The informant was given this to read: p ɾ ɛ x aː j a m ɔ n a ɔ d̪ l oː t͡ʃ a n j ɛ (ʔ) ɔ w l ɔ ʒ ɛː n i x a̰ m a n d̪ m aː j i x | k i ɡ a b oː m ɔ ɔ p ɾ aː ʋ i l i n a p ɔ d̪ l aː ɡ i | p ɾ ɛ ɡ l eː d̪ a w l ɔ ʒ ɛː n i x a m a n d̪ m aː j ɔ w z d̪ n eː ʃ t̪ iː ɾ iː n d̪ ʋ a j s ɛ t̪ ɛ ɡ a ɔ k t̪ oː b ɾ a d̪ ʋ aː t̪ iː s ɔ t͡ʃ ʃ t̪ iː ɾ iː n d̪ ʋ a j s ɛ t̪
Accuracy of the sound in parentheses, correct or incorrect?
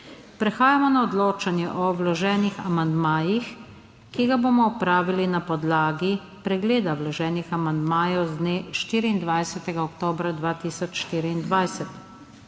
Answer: correct